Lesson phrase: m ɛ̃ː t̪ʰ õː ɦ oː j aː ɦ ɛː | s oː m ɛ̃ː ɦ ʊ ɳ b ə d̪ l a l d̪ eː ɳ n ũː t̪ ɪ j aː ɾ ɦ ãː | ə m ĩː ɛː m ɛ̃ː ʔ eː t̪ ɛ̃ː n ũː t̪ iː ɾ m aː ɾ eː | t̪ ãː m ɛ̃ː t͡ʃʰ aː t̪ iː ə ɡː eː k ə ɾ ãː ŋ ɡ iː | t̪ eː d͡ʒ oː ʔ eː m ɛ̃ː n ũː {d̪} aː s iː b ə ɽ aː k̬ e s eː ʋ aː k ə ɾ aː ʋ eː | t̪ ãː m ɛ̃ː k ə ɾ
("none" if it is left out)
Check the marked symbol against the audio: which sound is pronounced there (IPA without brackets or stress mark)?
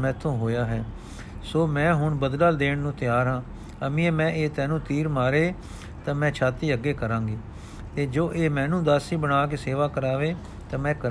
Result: d̪